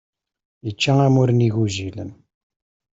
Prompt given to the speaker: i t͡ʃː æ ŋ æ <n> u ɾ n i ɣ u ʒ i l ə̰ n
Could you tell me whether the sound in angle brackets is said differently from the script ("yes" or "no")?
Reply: yes